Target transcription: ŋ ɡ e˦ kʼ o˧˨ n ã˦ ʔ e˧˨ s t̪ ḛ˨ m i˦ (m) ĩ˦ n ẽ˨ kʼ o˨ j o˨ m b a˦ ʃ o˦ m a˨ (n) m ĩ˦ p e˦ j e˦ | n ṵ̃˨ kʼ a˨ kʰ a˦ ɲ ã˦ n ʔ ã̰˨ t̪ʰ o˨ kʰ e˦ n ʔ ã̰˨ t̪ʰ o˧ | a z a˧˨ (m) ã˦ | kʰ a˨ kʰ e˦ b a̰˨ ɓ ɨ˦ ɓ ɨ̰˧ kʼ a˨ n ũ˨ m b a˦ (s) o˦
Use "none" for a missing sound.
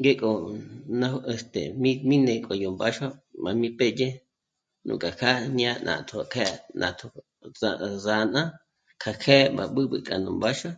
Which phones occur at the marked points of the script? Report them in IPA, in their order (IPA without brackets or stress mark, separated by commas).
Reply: m, none, n, ʃ